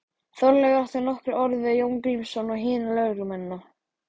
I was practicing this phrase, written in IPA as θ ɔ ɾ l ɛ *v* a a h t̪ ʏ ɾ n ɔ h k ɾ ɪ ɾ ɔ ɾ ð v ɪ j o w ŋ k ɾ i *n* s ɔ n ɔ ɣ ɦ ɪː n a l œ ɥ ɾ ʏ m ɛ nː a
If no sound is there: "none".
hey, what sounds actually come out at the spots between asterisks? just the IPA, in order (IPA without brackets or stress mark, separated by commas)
ɣ, m